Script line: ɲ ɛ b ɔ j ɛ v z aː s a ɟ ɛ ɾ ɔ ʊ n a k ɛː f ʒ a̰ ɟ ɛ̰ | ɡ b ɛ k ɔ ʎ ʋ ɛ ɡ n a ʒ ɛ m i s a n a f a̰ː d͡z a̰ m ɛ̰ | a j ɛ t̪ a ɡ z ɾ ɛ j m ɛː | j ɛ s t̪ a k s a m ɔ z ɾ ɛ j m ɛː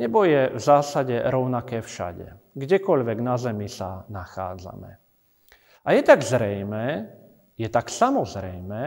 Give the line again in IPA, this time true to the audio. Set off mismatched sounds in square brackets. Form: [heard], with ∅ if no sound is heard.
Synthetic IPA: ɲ ɛ b ɔ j ɛ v z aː s a ɟ ɛ ɾ ɔ ʊ n a k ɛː f [ʃ] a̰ ɟ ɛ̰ | ɡ [ɟ] ɛ k ɔ ʎ ʋ ɛ ɡ n a [z] ɛ m i s a n a [x] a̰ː d͡z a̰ m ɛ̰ | a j ɛ t̪ a ɡ z ɾ ɛ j m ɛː | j ɛ [∅] t̪ a k s a m ɔ z ɾ ɛ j m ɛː